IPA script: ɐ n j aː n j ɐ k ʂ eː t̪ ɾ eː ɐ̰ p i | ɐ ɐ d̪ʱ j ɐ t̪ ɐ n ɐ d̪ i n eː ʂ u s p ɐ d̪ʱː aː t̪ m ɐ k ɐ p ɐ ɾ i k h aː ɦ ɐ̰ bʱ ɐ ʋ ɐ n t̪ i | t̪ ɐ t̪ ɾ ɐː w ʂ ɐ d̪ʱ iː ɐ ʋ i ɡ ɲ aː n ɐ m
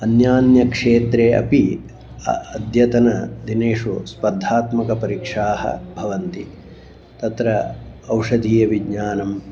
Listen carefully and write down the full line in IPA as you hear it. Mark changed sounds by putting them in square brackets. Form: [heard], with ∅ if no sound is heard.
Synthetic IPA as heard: ɐ n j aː n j ɐ k ʂ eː t̪ ɾ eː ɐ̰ p i | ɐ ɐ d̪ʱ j ɐ t̪ ɐ n ɐ d̪ i n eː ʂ u s p ɐ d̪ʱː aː t̪ m ɐ k ɐ p ɐ ɾ i k [ʂ] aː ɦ ɐ̰ bʱ ɐ ʋ ɐ n t̪ i | t̪ ɐ t̪ ɾ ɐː w ʂ ɐ d̪ʱ iː ɐ ʋ i ɡ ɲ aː n ɐ m